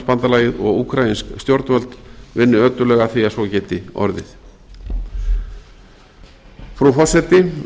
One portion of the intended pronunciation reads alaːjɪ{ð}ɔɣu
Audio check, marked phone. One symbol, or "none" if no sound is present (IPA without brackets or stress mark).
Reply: ð